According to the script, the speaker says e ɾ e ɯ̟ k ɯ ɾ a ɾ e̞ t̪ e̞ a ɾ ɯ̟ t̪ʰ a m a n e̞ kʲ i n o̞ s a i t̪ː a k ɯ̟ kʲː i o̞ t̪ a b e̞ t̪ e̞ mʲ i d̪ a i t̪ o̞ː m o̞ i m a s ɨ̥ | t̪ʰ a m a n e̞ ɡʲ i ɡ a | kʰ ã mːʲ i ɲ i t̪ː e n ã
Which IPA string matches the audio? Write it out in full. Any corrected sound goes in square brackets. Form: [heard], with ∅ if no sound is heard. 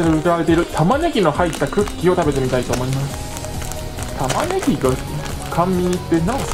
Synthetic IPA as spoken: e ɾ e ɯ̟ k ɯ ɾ a ɾ e̞ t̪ e̞ [i] ɾ ɯ̟ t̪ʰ a m a n e̞ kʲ i n o̞ [h] a i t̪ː a k ɯ̟ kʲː i o̞ t̪ a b e̞ t̪ e̞ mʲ i [t̪] a i t̪ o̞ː m o̞ i m a s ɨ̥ | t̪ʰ a m a n e̞ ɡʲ i ɡ a | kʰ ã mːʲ i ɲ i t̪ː e n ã